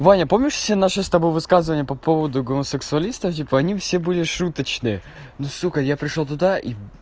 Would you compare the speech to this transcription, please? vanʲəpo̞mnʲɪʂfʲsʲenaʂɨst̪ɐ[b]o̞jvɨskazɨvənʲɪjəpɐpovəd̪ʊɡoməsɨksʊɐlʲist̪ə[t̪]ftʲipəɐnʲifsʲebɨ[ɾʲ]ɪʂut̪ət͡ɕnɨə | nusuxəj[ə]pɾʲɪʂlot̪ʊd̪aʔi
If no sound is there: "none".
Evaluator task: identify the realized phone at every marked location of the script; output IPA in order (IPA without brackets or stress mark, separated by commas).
b, none, lʲ, a